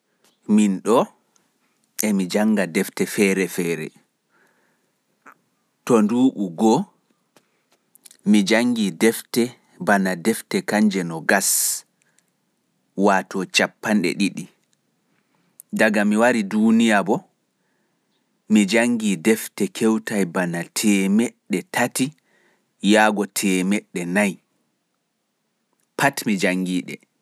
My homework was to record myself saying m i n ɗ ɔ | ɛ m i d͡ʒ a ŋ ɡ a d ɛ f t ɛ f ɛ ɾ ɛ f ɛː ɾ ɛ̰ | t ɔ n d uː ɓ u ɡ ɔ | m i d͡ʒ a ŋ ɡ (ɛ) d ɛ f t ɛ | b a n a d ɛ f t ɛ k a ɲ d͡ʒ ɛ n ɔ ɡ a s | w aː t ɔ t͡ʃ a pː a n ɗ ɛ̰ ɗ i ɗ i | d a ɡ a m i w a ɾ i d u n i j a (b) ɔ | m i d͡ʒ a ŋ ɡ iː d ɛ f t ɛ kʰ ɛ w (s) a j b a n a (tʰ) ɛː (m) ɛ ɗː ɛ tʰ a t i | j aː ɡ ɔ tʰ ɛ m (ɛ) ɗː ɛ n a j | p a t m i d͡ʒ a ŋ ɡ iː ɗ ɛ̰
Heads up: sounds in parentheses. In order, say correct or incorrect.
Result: incorrect: i, correct, incorrect: t, correct, correct, correct

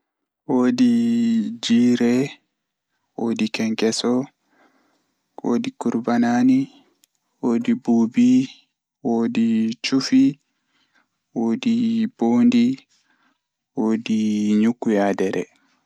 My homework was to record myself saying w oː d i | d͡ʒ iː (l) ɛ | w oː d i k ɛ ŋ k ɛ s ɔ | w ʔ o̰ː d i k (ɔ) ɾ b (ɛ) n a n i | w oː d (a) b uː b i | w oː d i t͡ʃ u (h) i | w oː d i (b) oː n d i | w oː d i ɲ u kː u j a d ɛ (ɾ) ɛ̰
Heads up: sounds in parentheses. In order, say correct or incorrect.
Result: incorrect: ɾ, incorrect: u, incorrect: a, incorrect: i, incorrect: f, correct, correct

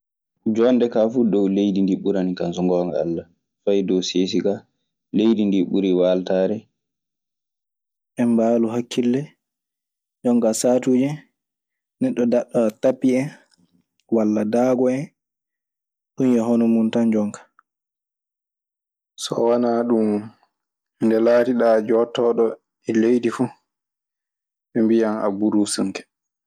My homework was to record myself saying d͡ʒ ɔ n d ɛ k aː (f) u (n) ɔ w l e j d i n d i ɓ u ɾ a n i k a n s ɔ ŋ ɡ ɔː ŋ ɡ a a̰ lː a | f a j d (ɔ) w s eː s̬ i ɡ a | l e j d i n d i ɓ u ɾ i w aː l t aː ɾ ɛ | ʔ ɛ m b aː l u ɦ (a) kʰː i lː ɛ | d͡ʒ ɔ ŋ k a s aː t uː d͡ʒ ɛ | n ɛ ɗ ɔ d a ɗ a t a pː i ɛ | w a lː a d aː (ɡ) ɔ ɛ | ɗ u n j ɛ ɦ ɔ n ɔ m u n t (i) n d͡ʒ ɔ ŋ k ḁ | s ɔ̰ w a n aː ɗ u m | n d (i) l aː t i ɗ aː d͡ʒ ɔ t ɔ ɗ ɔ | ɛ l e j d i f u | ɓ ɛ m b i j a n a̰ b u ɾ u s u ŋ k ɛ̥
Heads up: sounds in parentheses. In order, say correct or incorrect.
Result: correct, incorrect: d, correct, correct, correct, incorrect: a, incorrect: ɛ

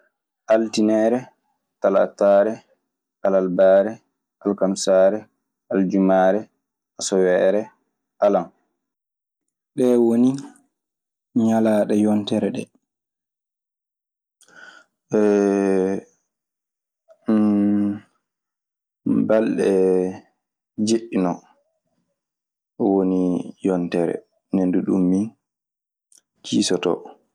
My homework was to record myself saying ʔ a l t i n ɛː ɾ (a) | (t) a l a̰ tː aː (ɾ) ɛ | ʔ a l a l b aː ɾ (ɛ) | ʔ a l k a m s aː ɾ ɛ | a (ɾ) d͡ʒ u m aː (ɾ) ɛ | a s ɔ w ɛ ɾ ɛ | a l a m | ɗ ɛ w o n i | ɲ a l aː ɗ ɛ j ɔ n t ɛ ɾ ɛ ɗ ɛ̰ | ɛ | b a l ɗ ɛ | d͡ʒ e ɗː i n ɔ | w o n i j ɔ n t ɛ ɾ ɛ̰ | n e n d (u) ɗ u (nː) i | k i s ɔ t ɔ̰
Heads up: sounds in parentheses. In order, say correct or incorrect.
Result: incorrect: ɛ, correct, correct, correct, incorrect: l, correct, correct, incorrect: mː

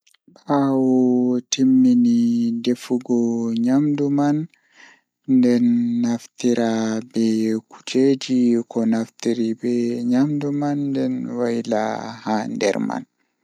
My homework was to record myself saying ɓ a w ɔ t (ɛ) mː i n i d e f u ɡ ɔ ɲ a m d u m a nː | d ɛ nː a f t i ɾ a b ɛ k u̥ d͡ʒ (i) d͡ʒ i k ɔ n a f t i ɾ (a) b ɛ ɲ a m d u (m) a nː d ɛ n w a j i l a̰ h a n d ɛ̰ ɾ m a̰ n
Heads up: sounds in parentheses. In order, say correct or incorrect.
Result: incorrect: i, incorrect: e, incorrect: i, correct

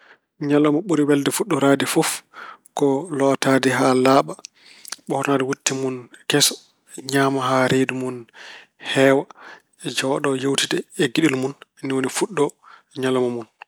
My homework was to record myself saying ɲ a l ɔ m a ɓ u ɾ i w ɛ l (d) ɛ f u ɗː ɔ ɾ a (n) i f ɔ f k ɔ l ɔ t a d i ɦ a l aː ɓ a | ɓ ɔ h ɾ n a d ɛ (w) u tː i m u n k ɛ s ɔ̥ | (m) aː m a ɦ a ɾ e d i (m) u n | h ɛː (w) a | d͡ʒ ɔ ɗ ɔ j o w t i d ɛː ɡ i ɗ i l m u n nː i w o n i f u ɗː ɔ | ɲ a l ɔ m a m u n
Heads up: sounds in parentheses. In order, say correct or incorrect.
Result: correct, incorrect: d, correct, incorrect: ɲ, correct, correct

